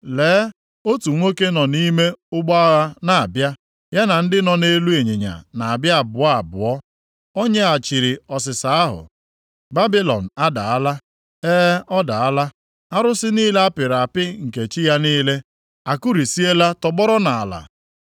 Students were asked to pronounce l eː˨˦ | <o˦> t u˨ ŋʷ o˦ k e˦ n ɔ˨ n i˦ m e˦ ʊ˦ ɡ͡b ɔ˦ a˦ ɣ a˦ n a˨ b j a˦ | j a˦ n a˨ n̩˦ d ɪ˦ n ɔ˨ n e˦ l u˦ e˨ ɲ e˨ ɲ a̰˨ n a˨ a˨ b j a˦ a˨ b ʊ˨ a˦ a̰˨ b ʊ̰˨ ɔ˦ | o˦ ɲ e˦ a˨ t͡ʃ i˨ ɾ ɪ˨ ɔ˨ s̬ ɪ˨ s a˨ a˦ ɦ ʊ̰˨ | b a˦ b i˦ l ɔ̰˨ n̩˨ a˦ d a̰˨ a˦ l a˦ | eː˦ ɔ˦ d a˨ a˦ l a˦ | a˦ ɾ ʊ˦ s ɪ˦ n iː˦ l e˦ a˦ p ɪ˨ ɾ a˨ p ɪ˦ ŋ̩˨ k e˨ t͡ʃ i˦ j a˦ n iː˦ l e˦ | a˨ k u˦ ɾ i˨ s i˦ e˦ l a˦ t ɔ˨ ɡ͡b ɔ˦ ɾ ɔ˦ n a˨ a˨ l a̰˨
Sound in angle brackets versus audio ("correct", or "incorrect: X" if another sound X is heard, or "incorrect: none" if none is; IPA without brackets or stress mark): correct